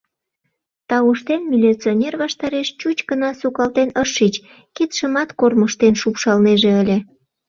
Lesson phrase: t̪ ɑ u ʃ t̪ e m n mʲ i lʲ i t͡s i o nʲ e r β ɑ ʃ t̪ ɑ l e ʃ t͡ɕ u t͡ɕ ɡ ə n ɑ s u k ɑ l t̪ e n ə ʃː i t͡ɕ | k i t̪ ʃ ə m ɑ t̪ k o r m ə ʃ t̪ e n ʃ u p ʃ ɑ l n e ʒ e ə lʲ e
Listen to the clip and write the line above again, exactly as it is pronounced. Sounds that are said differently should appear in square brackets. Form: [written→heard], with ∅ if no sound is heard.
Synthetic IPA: t̪ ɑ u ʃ t̪ e [m→∅] n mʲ i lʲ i t͡s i o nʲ e r β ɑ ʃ t̪ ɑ [l→ɾ] e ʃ t͡ɕ u t͡ɕ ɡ ə n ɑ s u k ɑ l t̪ e n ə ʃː i t͡ɕ | k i t̪ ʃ ə m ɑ t̪ k o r m ə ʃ t̪ e n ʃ u p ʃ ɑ l n e ʒ e ə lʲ e